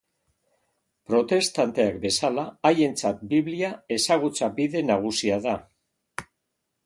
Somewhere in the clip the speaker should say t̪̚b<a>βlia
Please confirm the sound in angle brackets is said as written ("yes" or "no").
no